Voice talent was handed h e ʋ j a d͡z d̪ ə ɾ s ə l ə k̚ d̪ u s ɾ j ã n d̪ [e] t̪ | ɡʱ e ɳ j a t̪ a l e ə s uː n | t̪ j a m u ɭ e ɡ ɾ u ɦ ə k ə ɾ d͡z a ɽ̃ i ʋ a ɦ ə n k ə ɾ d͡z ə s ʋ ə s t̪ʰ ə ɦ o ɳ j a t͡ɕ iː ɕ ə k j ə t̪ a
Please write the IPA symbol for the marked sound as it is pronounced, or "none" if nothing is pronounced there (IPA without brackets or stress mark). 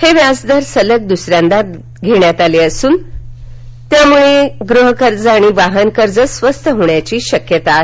a